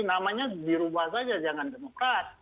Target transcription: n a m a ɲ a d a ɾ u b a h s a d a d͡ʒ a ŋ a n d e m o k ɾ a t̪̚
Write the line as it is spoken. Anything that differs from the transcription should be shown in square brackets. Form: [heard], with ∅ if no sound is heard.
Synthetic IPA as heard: n a m a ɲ a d [i] ɾ u b a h s a [d͡ʒ] a d͡ʒ a ŋ a n d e m o k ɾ a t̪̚